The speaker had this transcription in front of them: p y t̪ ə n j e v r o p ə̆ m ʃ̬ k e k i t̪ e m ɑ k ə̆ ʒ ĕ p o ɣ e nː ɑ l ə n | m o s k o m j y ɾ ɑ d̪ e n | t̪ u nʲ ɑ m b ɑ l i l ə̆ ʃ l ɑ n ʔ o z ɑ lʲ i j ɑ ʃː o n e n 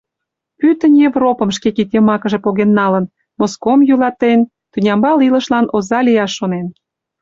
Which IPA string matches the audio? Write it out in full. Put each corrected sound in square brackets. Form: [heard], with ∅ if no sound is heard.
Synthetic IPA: p y t̪ ə n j e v r o p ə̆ m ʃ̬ k e k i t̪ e m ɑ k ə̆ ʒ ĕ p o ɣ e nː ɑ l ə n | m o s k o m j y [l] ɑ [t̪] e n | t̪ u nʲ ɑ m b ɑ l i l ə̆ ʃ l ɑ n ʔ o z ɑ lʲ i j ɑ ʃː o n e n